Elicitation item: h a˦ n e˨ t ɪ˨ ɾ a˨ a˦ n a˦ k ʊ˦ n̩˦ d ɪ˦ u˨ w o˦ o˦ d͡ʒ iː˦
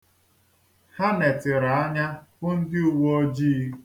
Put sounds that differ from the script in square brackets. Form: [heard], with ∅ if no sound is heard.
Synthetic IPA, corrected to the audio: h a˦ n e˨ t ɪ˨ ɾ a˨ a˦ [ɲ] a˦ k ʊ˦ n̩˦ d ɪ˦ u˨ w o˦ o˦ d͡ʒ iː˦